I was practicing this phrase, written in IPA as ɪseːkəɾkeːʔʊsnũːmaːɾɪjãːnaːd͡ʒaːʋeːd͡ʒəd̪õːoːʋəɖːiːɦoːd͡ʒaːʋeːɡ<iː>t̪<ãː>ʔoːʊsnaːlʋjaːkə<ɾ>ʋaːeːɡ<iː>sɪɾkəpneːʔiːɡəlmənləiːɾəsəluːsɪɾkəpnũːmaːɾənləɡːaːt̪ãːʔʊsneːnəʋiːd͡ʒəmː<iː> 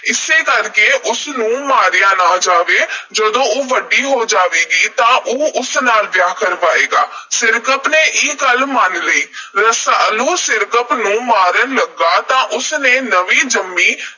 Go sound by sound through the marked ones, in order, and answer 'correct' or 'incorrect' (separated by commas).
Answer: correct, correct, correct, incorrect, correct